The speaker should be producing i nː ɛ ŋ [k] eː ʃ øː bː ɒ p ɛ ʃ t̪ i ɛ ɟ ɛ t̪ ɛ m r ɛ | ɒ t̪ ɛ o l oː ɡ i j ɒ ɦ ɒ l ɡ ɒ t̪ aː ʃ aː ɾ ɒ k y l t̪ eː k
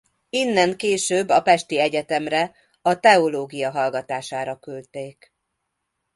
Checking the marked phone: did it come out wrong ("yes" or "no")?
no